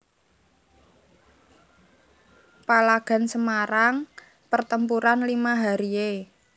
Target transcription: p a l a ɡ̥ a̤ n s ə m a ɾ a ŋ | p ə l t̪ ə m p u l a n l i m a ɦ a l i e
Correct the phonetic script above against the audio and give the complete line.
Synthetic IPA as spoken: p a l a ɡ̥ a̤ n s ə m a ɾ a ŋ | p ə r t̪ ə m p u ɾ a n l i m a ɦ a ɾ i e